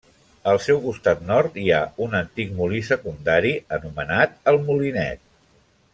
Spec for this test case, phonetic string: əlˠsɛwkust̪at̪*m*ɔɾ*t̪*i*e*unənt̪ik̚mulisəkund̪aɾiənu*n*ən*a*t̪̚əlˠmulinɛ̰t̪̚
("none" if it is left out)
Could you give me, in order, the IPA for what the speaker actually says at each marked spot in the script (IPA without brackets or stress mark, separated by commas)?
n, t̪, a, m, a